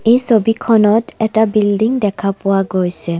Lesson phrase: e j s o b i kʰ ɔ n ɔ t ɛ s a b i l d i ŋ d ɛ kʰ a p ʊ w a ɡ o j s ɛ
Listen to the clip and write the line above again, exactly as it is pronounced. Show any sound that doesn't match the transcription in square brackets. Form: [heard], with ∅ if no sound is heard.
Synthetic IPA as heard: e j s o b i kʰ ɔ n ɔ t ɛ [t] a b i l d i ŋ d ɛ kʰ a p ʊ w a ɡ o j s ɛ

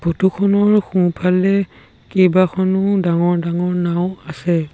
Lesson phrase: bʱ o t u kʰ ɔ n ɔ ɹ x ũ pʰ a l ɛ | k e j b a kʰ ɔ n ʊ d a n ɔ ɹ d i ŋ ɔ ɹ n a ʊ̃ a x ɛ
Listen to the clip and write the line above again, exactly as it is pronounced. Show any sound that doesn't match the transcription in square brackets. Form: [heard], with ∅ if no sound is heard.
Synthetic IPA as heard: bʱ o t u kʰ ɔ n ɔ ɹ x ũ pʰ a l ɛ | k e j b a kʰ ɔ n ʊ d a [ŋ] ɔ ɹ d [a] ŋ ɔ ɹ n a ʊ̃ a [s] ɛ

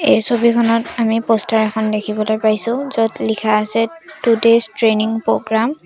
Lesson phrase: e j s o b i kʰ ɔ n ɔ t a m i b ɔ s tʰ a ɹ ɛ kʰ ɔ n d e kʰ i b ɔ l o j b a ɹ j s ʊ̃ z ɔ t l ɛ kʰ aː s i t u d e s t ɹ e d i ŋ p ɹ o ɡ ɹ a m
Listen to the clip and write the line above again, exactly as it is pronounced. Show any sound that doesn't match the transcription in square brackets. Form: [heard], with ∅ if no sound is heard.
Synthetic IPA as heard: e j s o b i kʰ ɔ n ɔ t a m i [p] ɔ s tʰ a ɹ ɛ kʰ ɔ n d e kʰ i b ɔ l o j [p] a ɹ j s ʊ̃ z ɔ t l [i] kʰ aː s [ɛ] t u d e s t ɹ e [n] i ŋ p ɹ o ɡ ɹ a m

